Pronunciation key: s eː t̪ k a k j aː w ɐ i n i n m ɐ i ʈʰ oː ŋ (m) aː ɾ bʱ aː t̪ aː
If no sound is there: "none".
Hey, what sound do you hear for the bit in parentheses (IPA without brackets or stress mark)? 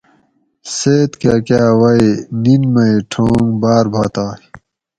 b